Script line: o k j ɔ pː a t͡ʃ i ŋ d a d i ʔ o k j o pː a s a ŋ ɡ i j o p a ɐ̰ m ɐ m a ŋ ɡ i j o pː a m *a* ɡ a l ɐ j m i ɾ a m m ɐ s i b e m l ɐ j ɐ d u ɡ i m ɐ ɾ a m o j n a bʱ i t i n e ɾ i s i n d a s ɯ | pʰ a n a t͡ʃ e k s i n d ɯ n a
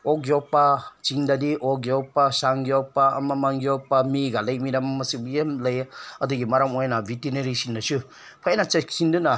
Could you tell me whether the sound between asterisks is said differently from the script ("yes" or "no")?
yes